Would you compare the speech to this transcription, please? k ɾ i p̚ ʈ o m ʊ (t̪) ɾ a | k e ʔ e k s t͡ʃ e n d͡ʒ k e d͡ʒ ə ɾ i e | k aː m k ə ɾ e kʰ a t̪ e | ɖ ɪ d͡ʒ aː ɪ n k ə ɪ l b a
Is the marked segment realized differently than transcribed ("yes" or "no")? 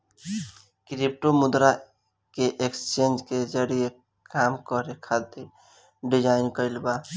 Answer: yes